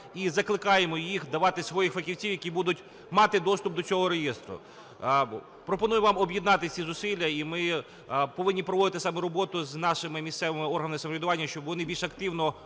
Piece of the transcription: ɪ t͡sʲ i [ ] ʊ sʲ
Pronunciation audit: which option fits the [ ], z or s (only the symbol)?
z